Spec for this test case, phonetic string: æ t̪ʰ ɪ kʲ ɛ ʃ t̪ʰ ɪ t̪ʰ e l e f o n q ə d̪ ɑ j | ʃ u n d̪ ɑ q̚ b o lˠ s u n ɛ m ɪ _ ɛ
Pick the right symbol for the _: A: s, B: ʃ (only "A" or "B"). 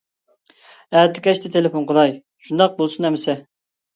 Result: A